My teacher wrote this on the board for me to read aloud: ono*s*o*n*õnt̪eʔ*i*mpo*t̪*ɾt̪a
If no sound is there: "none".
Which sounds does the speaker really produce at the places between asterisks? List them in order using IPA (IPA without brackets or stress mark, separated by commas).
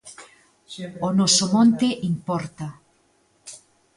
s, m, i, none